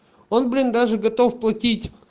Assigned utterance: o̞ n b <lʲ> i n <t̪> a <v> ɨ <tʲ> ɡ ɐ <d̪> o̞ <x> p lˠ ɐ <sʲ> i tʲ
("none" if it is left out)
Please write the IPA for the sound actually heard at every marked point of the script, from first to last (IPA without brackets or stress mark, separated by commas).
lʲ, d̪, ʐ, none, t̪, f, tʲ